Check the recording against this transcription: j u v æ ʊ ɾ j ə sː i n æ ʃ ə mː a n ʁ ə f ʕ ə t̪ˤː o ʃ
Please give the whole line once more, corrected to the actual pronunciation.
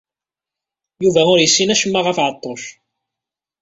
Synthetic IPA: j u v æ ʊ ɾ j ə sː i n æ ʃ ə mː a ʁ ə f ʕ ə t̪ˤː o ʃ